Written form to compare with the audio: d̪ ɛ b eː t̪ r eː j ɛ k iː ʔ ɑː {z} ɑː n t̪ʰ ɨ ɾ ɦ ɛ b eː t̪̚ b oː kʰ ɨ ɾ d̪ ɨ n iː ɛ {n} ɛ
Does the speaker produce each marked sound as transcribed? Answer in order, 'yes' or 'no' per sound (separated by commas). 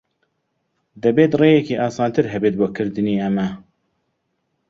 no, no